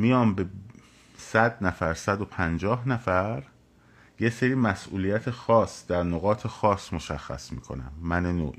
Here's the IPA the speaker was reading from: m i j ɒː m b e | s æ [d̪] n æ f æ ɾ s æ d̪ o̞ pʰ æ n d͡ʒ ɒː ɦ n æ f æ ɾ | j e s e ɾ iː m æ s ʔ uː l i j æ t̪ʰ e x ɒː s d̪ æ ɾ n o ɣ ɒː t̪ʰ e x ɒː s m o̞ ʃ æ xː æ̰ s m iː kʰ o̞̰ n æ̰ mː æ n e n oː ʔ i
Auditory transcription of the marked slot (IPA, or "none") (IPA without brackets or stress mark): d̪